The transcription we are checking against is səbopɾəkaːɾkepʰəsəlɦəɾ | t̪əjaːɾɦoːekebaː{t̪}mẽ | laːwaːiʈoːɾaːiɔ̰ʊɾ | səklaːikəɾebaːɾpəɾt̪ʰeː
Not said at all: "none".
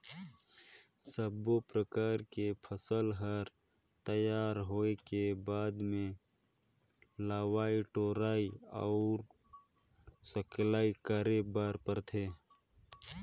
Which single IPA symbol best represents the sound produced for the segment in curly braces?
d̪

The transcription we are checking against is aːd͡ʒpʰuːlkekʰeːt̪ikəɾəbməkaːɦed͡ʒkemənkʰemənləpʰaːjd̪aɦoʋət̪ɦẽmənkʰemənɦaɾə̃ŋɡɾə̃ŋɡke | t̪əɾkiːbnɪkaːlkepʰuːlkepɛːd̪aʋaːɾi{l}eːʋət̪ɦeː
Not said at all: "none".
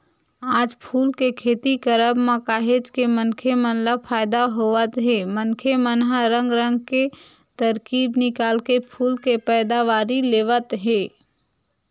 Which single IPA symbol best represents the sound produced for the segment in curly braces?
l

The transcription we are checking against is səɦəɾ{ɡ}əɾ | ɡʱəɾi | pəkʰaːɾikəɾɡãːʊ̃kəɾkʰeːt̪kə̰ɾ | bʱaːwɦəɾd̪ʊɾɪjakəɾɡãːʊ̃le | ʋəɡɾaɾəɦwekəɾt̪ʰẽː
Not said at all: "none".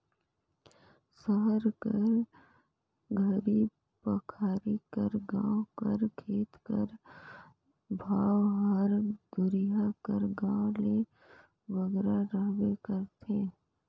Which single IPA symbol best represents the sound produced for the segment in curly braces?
k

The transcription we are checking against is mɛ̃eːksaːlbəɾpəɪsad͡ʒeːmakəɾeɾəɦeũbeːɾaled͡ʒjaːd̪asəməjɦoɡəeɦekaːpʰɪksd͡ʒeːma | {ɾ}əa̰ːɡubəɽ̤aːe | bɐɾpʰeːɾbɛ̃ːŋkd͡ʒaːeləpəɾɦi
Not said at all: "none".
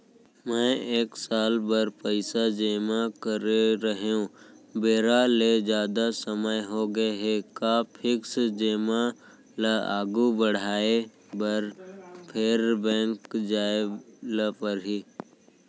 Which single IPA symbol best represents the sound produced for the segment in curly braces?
l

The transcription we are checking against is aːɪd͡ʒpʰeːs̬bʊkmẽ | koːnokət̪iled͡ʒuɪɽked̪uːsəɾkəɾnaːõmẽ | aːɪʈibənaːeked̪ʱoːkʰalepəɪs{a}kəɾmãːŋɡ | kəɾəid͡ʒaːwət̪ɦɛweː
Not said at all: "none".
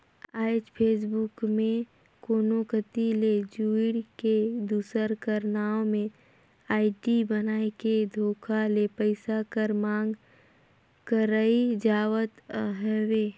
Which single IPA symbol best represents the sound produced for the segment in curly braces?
a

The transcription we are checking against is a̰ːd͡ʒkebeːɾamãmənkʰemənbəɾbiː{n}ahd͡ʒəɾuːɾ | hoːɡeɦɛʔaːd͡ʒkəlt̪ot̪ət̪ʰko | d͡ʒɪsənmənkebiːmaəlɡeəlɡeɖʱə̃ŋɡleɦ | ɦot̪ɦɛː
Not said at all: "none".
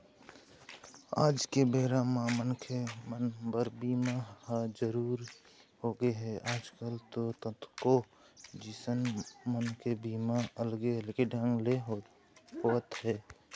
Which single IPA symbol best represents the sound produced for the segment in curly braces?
m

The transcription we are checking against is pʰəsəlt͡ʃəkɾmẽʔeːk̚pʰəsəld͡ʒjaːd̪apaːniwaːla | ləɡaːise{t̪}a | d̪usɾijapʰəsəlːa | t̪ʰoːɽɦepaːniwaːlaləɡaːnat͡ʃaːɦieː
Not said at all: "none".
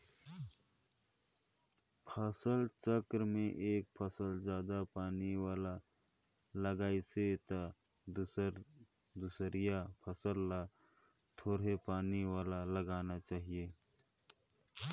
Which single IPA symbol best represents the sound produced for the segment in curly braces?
t̪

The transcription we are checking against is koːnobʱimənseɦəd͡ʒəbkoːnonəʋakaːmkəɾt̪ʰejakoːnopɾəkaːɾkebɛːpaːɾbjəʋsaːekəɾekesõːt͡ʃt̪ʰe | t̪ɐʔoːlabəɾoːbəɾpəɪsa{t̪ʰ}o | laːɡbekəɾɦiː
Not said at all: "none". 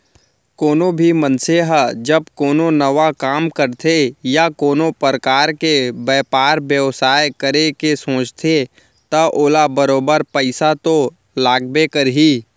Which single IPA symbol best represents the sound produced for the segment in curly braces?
t̪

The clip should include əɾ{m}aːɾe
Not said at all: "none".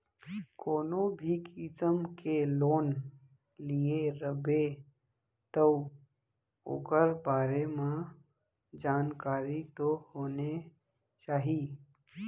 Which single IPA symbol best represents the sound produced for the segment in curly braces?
b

